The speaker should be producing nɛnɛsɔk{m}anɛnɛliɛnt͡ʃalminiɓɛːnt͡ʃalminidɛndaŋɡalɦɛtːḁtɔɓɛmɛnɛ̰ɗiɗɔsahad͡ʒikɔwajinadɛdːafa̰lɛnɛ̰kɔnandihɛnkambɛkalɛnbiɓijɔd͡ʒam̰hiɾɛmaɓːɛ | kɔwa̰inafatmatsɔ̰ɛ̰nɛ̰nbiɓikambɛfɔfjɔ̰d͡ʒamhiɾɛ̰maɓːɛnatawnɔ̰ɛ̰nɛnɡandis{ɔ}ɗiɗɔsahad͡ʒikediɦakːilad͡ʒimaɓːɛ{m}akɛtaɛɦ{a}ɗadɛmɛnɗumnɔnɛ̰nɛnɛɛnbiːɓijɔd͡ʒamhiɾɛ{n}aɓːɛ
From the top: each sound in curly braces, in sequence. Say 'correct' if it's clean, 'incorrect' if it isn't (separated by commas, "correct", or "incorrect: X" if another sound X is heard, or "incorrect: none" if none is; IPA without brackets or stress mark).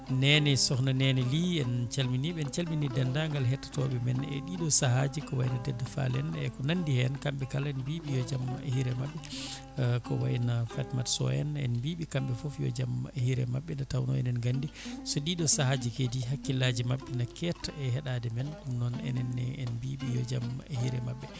incorrect: n, correct, incorrect: n, incorrect: ɛ, incorrect: m